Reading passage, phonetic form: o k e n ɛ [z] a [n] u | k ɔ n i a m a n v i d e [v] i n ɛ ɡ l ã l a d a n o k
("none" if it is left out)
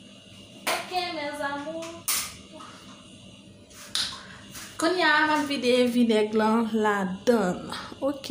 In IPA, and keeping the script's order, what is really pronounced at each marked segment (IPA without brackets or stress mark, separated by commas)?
z, m, v